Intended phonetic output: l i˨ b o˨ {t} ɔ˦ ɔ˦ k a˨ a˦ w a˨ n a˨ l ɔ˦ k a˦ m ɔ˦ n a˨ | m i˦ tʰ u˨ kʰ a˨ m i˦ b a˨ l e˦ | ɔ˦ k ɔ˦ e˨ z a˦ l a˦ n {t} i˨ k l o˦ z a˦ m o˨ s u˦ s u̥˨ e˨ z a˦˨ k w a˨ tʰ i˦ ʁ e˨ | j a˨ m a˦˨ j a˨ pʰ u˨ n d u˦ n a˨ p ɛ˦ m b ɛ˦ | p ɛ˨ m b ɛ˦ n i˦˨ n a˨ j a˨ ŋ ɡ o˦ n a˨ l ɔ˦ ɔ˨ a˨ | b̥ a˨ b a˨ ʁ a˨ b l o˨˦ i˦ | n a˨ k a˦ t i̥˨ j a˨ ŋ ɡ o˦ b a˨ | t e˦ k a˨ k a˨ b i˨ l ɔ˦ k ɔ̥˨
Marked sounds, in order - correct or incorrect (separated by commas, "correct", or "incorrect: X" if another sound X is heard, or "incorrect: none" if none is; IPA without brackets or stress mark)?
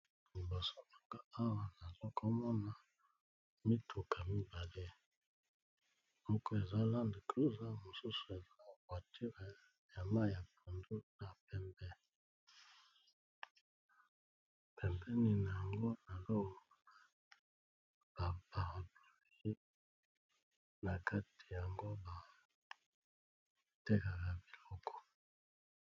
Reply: incorrect: s, incorrect: d